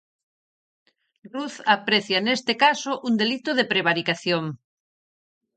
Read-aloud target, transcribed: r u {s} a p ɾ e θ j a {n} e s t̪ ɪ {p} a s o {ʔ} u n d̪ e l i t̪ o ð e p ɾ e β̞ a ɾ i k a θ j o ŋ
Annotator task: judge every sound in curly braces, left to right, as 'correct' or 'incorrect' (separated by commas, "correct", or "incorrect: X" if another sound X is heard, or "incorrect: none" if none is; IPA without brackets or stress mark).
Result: incorrect: θ, correct, incorrect: k, correct